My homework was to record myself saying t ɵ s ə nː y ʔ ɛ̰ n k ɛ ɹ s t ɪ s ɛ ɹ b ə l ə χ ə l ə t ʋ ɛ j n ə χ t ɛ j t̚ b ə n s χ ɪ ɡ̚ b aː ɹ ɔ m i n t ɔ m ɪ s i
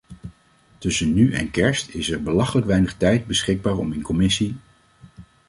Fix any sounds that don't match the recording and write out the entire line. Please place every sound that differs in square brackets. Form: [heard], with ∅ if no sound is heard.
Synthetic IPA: t ɵ s ə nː y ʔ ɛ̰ n k ɛ ɹ s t ɪ s ɛ ɹ b ə l [ɑ] χ ə l ə [k] ʋ ɛ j n ə χ t ɛ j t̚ b ə [∅] s χ ɪ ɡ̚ b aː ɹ ɔ m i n [k] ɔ m ɪ s i